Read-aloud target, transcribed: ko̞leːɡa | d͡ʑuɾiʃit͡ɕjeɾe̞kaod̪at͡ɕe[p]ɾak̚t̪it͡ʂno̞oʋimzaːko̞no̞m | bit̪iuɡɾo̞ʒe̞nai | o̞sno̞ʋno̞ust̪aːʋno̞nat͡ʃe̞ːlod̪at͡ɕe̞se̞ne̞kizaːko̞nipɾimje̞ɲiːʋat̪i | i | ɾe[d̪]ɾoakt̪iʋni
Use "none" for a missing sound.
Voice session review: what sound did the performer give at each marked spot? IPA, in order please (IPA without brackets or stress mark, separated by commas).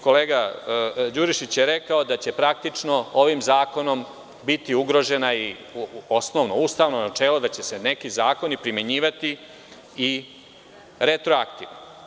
p, t̪